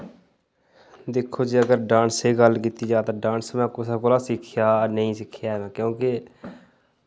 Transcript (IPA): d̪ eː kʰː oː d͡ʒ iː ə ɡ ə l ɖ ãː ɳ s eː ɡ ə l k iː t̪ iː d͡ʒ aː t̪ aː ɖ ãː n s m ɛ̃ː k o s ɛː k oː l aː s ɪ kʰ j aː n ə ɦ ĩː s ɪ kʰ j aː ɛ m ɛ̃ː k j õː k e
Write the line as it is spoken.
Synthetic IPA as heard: d̪ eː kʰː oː d͡ʒ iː ə ɡ ə ɾ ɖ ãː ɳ s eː ɡ ə l k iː t̪ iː d͡ʒ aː t̪ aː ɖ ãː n s m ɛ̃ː k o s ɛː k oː l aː s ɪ kʰ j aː n ə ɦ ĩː s ɪ kʰ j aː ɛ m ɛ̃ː k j õː k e